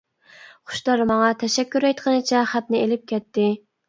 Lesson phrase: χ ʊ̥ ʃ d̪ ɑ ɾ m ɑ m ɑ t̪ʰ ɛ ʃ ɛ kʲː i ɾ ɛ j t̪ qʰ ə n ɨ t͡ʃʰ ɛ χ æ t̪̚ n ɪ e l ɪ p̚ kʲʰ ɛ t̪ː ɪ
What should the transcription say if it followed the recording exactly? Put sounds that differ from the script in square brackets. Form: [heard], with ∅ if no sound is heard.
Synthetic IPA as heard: χ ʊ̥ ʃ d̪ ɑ ɾ m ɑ [ŋ] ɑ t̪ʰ ɛ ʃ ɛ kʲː [y] ɾ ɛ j t̪ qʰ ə n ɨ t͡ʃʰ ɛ χ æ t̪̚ n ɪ e l ɪ p̚ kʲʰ ɛ t̪ː ɪ

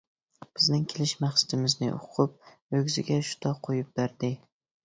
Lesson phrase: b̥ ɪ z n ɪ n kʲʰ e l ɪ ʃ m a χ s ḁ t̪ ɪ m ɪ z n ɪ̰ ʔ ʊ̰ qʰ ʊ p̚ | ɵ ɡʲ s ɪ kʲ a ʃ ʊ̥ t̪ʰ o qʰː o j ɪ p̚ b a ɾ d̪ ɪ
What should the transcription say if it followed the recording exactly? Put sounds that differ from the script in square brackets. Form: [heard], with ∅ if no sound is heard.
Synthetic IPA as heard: b̥ ɪ z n ɪ [ŋ] kʲʰ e l ɪ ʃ m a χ s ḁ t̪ ɪ m ɪ z n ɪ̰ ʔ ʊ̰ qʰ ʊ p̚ | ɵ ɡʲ [z] ɪ [ɡʲ] a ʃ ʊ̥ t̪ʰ [ɒ] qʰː o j ɪ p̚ b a ɾ d̪ ɪ

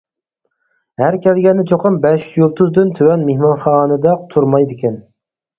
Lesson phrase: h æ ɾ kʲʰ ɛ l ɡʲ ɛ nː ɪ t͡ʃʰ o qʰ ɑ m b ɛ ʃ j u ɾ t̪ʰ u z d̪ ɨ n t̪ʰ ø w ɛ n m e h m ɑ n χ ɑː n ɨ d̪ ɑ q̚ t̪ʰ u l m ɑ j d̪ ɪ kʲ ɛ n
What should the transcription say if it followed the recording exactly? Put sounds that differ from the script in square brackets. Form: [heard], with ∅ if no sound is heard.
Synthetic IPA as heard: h æ ɾ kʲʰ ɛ l ɡʲ ɛ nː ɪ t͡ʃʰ o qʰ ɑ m b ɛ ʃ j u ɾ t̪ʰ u z d̪ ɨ n t̪ʰ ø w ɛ n m e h m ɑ n χ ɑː n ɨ d̪ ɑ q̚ t̪ʰ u [ɾ] m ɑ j d̪ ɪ kʲ ɛ n

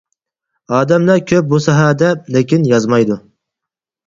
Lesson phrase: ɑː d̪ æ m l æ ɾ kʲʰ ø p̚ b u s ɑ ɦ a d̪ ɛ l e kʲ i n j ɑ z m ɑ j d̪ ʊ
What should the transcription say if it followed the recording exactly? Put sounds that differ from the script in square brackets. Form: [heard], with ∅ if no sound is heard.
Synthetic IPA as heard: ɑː d̪ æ m l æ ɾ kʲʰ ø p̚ b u s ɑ ɦ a d̪ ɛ l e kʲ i n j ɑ z m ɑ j d̪ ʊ

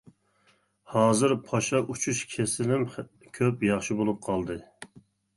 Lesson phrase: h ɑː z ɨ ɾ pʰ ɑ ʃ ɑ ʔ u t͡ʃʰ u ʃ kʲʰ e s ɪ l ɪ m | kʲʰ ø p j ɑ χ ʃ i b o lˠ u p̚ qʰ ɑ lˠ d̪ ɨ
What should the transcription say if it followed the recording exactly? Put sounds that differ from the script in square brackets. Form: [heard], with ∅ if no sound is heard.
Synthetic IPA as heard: h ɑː z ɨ ɾ pʰ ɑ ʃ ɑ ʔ u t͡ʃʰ u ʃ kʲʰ e s ɪ l ɪ m | kʲʰ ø p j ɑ χ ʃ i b o lˠ u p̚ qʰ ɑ lˠ d̪ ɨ

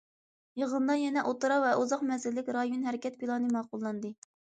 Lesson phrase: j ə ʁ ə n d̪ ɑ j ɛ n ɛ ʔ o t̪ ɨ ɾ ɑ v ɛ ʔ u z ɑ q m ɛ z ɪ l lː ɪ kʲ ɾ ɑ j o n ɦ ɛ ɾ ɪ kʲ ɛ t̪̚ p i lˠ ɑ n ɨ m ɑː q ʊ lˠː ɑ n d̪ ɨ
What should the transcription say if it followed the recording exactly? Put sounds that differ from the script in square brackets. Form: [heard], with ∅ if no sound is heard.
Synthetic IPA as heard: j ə ʁ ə n d̪ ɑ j ɛ n ɛ ʔ o t̪ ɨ ɾ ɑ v ɛ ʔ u z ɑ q m ɛ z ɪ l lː ɪ kʲ ɾ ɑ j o n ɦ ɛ ɾ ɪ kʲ ɛ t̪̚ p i lˠ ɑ n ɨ m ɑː q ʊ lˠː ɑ n d̪ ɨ

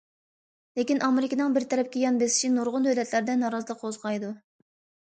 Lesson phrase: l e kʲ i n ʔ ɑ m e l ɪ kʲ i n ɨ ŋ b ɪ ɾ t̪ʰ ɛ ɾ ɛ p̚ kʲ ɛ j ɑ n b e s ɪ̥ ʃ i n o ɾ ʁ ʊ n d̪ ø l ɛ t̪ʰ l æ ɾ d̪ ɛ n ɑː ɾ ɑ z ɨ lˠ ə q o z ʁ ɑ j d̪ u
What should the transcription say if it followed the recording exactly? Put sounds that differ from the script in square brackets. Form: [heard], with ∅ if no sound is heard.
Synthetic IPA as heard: l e kʲ i n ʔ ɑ m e [ɾ] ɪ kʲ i n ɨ ŋ b ɪ ɾ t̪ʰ ɛ ɾ ɛ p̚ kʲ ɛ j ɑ n b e s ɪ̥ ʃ i n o ɾ ʁ ʊ n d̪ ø l ɛ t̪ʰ l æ ɾ d̪ ɛ n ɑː ɾ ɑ z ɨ lˠ ə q o z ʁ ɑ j d̪ u

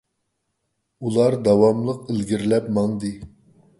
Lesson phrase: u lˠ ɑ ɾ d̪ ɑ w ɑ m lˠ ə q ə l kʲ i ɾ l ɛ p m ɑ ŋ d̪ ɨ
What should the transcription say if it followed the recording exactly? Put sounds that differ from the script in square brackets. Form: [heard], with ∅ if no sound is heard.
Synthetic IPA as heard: u lˠ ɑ ɾ d̪ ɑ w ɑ m lˠ ə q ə l [ɡʲ] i ɾ l ɛ p m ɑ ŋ d̪ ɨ

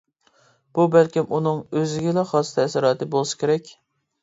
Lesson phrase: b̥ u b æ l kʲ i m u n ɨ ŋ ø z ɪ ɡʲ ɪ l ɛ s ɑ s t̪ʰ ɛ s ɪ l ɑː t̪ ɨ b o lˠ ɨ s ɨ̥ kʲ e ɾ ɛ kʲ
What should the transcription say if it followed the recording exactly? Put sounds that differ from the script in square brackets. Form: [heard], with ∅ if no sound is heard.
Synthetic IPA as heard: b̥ u b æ l kʲ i m u n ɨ ŋ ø z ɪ ɡʲ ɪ l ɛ [χ] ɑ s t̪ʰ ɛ s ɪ [ɾ] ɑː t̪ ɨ b o lˠ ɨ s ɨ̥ kʲ e ɾ ɛ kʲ

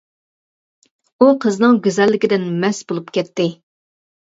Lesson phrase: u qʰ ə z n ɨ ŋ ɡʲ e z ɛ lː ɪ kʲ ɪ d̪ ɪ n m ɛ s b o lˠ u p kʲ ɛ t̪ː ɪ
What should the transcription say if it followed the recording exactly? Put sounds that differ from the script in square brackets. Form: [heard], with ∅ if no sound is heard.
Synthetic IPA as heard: u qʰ ə z n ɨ ŋ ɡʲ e z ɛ lː ɪ kʲ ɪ d̪ ɪ n m ɛ s b o lˠ u p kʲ ɛ t̪ː ɪ

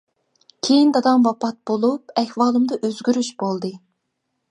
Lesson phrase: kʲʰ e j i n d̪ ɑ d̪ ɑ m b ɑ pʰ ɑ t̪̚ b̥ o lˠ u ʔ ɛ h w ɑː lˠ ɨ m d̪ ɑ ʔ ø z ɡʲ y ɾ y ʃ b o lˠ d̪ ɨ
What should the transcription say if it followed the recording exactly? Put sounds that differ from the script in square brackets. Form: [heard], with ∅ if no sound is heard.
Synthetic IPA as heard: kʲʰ e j i n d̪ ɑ d̪ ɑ m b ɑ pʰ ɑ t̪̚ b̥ o lˠ u [p] ɛ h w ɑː lˠ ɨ m d̪ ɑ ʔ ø z ɡʲ y ɾ y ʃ b o lˠ d̪ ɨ

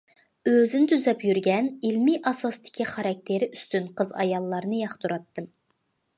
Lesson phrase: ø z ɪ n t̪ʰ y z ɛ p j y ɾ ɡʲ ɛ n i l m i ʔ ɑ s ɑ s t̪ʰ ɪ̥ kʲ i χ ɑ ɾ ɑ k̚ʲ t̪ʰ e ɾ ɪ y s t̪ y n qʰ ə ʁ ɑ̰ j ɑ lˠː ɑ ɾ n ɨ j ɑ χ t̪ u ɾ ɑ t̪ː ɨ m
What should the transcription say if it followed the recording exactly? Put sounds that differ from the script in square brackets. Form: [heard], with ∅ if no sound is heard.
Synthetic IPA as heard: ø z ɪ n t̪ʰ y z ɛ p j y ɾ ɡʲ ɛ n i l m i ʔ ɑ s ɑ s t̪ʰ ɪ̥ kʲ i χ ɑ ɾ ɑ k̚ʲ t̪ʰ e ɾ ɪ y s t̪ y n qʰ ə [z] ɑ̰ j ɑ lˠː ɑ ɾ n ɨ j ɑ χ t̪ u ɾ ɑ t̪ː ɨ m

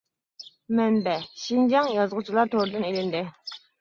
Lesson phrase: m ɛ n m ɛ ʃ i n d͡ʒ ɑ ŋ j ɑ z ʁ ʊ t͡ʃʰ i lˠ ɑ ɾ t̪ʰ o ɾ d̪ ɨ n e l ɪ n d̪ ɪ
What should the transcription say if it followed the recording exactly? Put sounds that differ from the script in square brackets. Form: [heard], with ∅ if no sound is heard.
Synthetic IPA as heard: m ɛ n [b] ɛ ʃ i n d͡ʒ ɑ ŋ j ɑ z ʁ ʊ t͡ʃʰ i lˠ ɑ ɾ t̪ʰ o ɾ d̪ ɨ n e l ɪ n d̪ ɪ

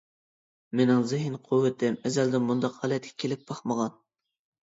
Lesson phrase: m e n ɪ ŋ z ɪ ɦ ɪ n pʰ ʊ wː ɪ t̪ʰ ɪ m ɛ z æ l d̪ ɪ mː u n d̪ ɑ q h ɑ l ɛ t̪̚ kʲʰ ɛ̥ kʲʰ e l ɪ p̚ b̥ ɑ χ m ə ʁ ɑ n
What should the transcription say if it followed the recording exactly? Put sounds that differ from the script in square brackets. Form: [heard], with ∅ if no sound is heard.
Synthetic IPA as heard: m e n ɪ ŋ z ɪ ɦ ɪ n [qʰ] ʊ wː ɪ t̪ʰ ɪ m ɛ z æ l d̪ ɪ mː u n d̪ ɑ q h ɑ l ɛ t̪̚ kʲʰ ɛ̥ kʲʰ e l ɪ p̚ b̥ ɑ χ m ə ʁ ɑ n

